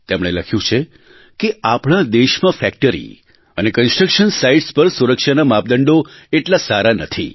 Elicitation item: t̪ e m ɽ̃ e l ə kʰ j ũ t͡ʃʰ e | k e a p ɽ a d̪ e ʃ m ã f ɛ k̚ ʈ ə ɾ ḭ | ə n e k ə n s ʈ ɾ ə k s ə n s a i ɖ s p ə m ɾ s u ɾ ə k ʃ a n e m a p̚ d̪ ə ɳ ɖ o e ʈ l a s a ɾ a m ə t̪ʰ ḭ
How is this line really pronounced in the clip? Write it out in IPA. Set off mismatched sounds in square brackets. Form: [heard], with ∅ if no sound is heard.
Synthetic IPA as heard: t̪ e m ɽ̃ e l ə kʰ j ũ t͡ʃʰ e | k e a p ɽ a d̪ e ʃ m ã f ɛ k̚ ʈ ə ɾ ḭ | ə n e k ə n s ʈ ɾ ə k [ʃ] ə n s a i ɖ s p ə [∅] ɾ s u ɾ ə k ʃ a n [a] m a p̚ d̪ ə ɳ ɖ o e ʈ l a s a ɾ a [n] ə t̪ʰ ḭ

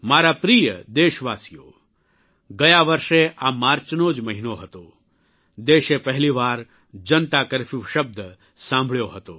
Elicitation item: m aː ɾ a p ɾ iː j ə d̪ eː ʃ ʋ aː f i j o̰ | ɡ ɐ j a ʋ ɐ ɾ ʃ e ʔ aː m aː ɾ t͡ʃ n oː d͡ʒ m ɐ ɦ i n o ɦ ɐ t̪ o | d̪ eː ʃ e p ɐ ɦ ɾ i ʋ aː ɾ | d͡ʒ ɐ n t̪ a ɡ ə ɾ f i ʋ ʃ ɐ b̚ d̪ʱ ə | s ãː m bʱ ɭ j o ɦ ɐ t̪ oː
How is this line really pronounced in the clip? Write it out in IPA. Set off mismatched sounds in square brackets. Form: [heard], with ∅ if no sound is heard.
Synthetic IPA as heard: m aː ɾ a p ɾ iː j ə d̪ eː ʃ ʋ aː [s] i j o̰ | ɡ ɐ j a ʋ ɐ ɾ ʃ e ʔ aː m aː ɾ t͡ʃ n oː d͡ʒ m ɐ ɦ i n o ɦ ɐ t̪ o | d̪ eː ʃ e p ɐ ɦ [l] i ʋ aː ɾ | d͡ʒ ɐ n t̪ a [k] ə ɾ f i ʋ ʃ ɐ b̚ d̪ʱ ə | s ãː m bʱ ɭ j o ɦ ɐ t̪ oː

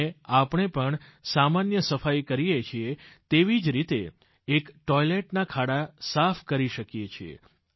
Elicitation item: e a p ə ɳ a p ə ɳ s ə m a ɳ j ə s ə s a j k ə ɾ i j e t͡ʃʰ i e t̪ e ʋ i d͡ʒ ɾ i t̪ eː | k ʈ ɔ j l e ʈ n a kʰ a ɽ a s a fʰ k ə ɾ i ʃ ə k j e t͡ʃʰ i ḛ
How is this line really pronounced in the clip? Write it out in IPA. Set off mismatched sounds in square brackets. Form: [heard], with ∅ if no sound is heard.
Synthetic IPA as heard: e a p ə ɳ [e] p ə ɳ s [a] m a [n] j ə s ə [f] a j k ə ɾ i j e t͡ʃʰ i e t̪ e ʋ i d͡ʒ ɾ i t̪ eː | k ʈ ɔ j l e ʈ n a kʰ a ɽ a s a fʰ k ə ɾ i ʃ ə k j e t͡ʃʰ i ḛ

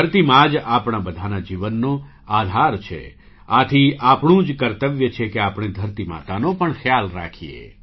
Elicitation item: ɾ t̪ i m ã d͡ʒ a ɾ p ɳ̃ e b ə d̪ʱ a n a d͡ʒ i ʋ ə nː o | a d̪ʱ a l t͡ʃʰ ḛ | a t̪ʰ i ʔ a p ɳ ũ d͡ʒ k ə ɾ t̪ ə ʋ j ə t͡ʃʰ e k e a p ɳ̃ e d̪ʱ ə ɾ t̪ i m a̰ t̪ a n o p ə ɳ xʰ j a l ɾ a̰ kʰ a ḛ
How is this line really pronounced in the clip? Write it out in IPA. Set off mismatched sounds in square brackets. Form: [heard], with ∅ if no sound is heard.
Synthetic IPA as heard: ɾ t̪ i m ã d͡ʒ a [∅] p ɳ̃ [a] b ə d̪ʱ a n a d͡ʒ i ʋ ə nː o | a d̪ʱ a [ɾ] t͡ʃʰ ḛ | a t̪ʰ i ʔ a p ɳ ũ d͡ʒ k ə ɾ t̪ ə ʋ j ə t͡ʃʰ e k e a p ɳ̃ e d̪ʱ ə ɾ t̪ i m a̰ t̪ a n o p ə ɳ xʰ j a l ɾ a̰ kʰ [i] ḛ

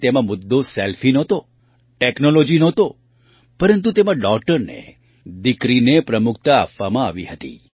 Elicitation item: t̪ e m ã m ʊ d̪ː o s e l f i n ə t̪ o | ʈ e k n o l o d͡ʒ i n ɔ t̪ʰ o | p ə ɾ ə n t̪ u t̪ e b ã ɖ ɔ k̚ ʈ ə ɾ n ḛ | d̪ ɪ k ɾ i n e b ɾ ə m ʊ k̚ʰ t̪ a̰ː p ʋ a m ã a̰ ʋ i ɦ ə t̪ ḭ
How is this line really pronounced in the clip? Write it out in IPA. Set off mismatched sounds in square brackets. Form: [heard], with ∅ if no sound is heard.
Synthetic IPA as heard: t̪ e m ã m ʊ d̪ː o s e l f i n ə t̪ o | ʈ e k n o l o d͡ʒ i n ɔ [t̪] o | p ə ɾ ə n t̪ u t̪ e [m] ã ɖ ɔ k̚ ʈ ə ɾ n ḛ | d̪ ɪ k ɾ i n e [p] ɾ ə m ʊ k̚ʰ t̪ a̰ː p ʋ a m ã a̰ ʋ i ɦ ə t̪ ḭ

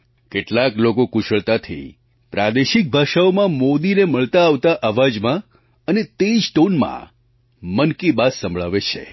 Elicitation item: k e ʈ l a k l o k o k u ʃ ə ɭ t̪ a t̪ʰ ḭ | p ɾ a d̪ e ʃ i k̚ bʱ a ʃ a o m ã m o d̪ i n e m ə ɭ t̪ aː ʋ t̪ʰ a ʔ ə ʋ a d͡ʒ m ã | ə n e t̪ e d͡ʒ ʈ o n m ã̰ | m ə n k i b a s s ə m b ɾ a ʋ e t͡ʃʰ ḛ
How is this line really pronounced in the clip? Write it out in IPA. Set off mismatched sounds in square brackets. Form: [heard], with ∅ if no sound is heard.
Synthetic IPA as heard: k e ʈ l a k l o k o k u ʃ ə ɭ t̪ a t̪ʰ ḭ | p ɾ a d̪ e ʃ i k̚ bʱ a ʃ a o m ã m o d̪ i n e m ə ɭ t̪ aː ʋ [t̪] a ʔ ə ʋ a d͡ʒ m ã | ə n e t̪ e d͡ʒ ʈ o n m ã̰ | m ə n k i b a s s ə m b [ɭ] a ʋ e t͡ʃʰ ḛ

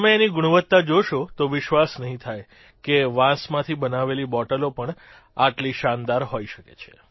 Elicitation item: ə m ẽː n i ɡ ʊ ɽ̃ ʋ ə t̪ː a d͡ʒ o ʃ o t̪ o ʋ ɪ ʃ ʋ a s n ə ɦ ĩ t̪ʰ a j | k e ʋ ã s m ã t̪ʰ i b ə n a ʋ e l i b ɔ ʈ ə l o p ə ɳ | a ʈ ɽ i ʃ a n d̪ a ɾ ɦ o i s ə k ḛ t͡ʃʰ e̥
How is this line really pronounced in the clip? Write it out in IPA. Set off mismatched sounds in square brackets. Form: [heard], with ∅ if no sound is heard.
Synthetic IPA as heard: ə m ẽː n i ɡ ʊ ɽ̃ ʋ ə t̪ː a d͡ʒ o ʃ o t̪ o ʋ ɪ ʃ ʋ a s n ə ɦ ĩ t̪ʰ a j | k e ʋ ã s m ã t̪ʰ i b ə n a ʋ e l i b ɔ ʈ ə l o p ə ɳ | a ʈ [l] i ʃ a n d̪ a ɾ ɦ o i [ʃ] ə k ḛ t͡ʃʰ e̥

